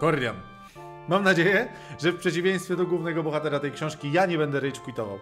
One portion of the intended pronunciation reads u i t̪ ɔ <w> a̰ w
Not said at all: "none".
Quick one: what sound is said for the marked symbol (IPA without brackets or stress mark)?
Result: v